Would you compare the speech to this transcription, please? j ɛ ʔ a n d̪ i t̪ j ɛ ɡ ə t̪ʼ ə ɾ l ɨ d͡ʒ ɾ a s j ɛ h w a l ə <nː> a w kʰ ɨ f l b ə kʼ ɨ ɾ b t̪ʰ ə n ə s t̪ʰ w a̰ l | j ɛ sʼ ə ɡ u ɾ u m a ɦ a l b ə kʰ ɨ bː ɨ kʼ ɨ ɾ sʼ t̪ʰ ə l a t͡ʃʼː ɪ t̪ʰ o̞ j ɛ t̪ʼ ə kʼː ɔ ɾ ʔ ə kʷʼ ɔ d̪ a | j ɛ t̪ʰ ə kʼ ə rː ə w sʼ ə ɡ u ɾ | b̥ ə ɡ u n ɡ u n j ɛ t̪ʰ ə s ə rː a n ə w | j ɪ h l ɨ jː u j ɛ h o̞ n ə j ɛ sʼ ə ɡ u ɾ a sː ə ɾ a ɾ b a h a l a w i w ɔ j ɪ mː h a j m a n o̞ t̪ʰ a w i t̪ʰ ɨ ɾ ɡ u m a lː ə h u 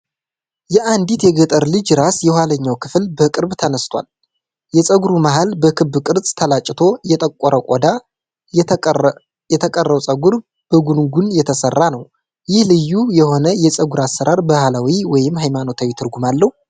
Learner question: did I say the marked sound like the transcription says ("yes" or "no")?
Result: no